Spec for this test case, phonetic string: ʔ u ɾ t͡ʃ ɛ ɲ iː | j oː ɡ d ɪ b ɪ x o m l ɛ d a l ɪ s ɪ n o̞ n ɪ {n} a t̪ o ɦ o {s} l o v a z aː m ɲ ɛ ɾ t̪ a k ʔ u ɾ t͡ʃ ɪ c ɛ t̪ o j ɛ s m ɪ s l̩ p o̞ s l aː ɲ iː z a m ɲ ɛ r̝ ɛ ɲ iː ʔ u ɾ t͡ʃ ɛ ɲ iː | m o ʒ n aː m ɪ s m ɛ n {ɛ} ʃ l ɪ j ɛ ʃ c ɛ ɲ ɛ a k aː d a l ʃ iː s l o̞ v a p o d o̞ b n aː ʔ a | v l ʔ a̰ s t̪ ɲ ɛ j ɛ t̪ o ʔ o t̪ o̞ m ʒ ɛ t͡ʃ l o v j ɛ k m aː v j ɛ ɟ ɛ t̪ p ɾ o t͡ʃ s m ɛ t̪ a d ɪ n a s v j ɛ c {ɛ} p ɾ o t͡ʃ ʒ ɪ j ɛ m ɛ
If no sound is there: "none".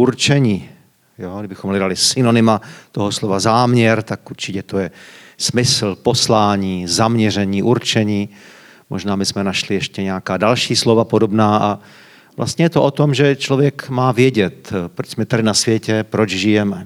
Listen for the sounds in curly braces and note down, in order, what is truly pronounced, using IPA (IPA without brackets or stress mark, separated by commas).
m, s, a, ɛ